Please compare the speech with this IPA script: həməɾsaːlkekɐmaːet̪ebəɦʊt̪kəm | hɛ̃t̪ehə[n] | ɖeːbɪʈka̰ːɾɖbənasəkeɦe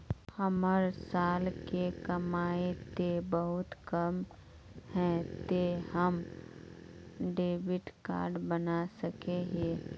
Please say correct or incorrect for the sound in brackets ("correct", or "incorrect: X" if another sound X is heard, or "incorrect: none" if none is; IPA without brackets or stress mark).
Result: incorrect: m